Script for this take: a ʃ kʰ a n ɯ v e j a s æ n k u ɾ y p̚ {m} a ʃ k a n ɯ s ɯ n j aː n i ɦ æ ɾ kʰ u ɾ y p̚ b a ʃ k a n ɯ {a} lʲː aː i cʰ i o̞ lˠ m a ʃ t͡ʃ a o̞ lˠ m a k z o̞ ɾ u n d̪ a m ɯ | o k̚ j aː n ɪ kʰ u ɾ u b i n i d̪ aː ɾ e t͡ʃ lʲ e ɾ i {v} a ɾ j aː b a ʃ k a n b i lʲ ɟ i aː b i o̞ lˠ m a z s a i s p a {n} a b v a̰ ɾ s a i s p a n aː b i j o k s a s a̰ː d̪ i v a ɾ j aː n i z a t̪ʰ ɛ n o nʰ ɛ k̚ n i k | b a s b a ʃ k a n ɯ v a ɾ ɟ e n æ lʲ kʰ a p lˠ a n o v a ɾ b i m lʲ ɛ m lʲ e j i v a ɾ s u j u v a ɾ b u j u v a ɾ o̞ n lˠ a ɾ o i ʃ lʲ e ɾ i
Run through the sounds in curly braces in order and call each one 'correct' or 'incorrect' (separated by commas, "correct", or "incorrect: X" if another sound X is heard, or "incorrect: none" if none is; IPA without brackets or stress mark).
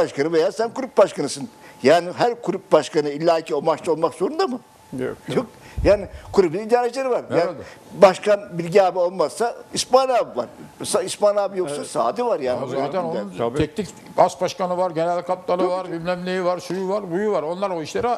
incorrect: b, incorrect: i, correct, correct